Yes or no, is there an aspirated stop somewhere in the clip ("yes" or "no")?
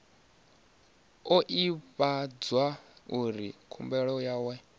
yes